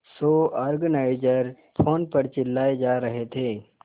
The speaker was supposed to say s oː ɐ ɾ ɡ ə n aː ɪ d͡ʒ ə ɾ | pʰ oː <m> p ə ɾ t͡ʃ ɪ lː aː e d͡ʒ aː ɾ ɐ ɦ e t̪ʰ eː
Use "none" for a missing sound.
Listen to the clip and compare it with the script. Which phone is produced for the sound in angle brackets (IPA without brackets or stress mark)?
n